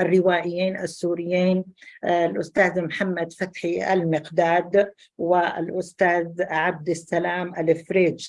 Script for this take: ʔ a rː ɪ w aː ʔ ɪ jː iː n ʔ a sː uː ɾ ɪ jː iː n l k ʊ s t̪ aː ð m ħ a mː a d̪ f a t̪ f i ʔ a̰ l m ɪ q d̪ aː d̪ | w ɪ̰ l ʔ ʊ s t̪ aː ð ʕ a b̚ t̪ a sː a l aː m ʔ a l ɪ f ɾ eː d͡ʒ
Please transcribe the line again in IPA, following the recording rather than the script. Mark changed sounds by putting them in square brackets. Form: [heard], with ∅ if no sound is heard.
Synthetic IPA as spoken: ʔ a rː ɪ w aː ʔ ɪ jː iː n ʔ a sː uː ɾ ɪ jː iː n l [ʔ] ʊ s t̪ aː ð m ħ a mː a d̪ f a t̪ [ħ] i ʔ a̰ l m ɪ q d̪ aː d̪ | w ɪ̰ l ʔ ʊ s t̪ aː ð ʕ a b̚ [d̪] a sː a l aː m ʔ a l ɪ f ɾ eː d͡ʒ